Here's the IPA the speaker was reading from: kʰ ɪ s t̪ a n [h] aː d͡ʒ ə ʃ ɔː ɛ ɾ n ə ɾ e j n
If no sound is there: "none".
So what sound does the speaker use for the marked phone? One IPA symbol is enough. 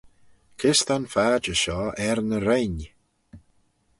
f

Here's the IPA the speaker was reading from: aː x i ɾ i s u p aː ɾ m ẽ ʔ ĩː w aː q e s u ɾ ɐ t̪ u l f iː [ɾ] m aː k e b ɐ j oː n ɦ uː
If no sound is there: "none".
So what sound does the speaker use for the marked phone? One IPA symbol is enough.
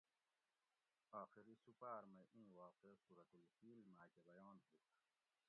l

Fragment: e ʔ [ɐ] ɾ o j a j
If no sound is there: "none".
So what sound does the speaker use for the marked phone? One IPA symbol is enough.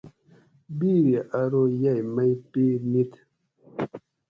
a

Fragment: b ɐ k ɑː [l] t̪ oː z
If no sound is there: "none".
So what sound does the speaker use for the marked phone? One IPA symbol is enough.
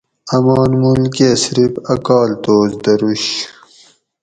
l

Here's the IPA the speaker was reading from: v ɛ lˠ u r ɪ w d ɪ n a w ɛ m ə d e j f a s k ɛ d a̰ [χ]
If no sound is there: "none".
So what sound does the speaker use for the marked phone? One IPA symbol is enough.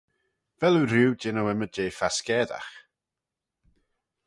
χ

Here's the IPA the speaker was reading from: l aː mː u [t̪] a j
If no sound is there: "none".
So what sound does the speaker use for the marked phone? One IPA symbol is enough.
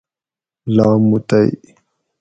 t̪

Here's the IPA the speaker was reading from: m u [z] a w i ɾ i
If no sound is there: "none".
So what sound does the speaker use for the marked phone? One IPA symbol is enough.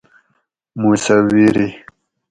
s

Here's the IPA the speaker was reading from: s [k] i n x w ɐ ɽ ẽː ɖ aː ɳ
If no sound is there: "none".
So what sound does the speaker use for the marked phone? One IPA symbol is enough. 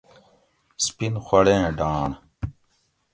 p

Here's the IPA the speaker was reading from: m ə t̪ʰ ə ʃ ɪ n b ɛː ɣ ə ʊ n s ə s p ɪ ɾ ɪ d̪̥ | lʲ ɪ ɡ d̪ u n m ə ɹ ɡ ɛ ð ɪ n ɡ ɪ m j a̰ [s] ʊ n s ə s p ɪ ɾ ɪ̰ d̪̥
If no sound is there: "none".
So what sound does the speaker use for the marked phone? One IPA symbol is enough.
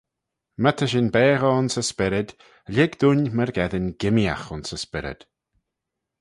x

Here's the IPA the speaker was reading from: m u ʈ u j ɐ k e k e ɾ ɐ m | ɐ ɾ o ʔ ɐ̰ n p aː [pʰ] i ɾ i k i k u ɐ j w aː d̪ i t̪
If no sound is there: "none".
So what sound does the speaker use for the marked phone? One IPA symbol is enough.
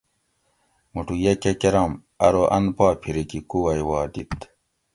pʰ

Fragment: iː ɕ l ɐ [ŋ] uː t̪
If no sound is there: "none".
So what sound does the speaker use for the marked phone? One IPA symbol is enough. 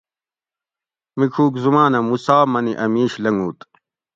ŋ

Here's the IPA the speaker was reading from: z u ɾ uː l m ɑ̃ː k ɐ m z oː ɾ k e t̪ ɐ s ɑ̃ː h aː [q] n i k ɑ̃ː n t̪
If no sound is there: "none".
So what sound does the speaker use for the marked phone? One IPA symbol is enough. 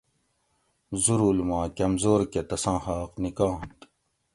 q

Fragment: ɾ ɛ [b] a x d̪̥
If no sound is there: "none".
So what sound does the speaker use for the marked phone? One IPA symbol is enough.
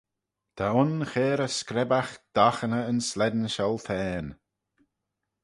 b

